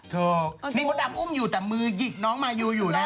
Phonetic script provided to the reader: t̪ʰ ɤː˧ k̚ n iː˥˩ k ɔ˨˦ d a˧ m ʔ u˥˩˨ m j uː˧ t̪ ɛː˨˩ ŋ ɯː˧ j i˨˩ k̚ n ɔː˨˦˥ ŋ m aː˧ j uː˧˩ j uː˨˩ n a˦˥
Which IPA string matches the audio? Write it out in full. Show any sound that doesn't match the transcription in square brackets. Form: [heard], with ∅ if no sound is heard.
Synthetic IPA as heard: t̪ʰ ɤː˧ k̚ n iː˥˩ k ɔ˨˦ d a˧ m ʔ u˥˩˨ m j [uː˨˩] t̪ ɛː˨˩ [m] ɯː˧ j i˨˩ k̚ n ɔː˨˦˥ ŋ m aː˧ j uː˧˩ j uː˨˩ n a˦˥

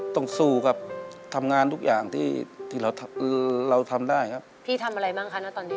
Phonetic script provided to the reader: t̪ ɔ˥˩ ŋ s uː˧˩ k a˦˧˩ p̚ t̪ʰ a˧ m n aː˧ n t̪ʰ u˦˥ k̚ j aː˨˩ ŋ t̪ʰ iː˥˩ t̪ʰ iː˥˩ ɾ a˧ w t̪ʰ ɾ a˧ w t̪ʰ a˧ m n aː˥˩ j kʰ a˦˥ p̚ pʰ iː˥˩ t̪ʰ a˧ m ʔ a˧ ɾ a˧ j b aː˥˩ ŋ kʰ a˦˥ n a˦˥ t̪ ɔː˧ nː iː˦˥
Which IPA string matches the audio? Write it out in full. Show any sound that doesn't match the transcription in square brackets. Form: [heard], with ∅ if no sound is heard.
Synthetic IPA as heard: t̪ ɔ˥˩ ŋ s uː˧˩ k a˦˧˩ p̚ t̪ʰ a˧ m [ŋ] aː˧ n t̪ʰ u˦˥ k̚ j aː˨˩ ŋ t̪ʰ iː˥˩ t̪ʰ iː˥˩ ɾ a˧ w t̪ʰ ɾ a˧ w t̪ʰ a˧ m [d] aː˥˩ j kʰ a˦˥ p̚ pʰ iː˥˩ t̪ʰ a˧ m ʔ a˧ ɾ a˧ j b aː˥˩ ŋ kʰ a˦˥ n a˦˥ t̪ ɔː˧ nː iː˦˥

